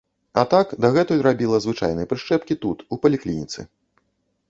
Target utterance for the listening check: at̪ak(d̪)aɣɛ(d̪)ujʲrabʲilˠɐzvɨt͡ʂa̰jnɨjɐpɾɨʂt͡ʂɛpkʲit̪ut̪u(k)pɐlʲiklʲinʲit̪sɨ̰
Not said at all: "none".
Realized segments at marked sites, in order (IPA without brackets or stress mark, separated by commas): d̪, t̪, none